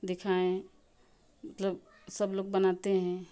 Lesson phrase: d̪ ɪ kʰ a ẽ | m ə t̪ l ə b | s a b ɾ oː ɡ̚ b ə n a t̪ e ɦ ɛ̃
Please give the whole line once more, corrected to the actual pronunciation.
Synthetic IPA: d̪ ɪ kʰ a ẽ | m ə t̪ l ə b | s ə b l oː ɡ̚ b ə n a t̪ e ɦ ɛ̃